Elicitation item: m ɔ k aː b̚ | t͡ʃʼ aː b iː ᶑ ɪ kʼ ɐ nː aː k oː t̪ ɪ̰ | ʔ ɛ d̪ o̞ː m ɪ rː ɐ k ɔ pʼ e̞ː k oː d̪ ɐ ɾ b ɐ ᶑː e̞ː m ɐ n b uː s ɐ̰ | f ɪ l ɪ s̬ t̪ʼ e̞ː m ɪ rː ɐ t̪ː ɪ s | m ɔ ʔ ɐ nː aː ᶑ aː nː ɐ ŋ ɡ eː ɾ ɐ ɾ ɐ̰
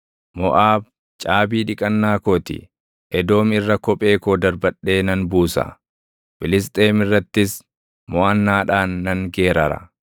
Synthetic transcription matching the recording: m ɔ ʔ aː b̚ | t͡ʃʼ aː b iː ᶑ ɪ kʼ ɐ nː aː k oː t̪ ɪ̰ | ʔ ɛ d̪ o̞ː m ɪ rː ɐ k ɔ pʼ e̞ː k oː d̪ ɐ ɾ b ɐ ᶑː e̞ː n ɐ n b uː s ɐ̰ | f ɪ l ɪ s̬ t̪ʼ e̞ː m ɪ rː ɐ t̪ː ɪ s | m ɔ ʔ ɐ nː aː ᶑ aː nː ɐ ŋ ɡ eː ɾ ɐ ɾ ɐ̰